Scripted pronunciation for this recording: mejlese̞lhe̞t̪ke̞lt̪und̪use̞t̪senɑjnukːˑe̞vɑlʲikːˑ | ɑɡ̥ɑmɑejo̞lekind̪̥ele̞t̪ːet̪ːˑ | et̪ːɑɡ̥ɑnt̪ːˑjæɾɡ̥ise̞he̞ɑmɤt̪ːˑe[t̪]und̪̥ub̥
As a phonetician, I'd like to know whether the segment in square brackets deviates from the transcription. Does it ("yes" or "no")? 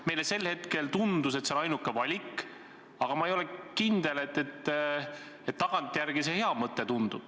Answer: no